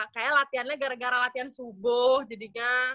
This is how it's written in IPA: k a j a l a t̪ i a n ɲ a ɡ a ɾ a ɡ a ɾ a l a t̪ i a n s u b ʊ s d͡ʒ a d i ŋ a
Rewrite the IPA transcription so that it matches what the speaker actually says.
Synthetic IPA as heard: k a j a l a t̪ i a n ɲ a ɡ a ɾ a ɡ a ɾ a l a t̪ i a n s u b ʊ h d͡ʒ a d i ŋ a